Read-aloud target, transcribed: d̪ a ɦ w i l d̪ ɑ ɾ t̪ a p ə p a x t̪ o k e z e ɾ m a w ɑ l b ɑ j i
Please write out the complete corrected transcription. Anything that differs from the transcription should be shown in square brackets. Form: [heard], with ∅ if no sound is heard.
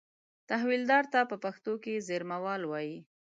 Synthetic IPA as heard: [t̪] a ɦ w i l d̪ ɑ ɾ t̪ a p ə p a x t̪ o k e z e ɾ m a w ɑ l [w] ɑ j i